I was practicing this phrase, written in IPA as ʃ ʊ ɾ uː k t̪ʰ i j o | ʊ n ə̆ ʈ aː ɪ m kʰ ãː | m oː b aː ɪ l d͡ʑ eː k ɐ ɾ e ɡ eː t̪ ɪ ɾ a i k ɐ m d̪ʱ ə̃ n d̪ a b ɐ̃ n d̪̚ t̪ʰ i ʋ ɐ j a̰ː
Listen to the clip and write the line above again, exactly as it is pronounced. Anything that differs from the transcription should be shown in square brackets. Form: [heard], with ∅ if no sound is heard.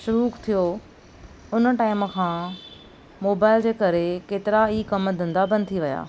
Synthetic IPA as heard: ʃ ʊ ɾ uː k t̪ʰ i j o | ʊ n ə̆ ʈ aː ɪ m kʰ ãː | m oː b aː ɪ l d͡ʑ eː k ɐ ɾ e [k] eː t̪ ɪ ɾ a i k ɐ m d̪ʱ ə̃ n d̪ a b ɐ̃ n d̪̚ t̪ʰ i ʋ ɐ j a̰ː